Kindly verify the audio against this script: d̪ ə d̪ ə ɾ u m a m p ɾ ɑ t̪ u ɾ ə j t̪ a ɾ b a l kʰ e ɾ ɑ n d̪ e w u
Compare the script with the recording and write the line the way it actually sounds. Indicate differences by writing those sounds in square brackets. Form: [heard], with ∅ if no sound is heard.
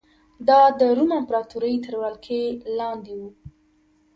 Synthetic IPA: d̪ [ɑ] d̪ ə ɾ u m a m p ɾ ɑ t̪ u ɾ ə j t̪ [ə] ɾ [w] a l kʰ e [l] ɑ n d̪ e w u